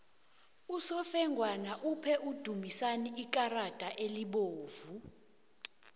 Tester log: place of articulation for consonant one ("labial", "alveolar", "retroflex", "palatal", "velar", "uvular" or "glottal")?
alveolar